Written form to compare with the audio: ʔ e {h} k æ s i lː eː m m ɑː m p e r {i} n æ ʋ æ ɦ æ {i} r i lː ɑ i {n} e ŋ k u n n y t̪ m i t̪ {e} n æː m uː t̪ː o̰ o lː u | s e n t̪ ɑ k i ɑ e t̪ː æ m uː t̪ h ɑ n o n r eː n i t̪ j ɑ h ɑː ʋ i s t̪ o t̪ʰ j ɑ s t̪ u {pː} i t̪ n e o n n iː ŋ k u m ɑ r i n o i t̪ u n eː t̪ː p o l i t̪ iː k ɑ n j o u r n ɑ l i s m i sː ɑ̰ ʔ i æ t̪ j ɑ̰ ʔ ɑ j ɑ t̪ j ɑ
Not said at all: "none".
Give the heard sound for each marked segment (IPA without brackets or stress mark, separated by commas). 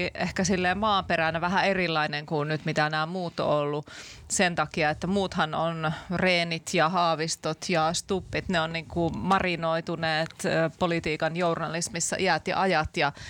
h, æ, e, n, æ, pː